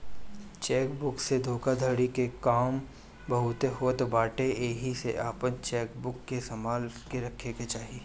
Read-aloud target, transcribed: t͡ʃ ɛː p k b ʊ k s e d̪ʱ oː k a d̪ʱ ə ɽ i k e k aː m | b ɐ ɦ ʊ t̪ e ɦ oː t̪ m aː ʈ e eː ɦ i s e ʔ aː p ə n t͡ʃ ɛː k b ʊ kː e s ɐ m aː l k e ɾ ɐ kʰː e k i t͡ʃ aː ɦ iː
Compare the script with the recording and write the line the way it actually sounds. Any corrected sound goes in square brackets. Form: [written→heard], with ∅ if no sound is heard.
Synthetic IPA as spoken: t͡ʃ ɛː [p→∅] k b ʊ k s e d̪ʱ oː k a d̪ʱ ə ɽ i k e k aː m | b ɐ ɦ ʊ t̪ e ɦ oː t̪ [m→b] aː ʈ e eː ɦ i s e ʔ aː p ə n t͡ʃ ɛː k b ʊ kː e s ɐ m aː l k e ɾ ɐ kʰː e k [i→e] t͡ʃ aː ɦ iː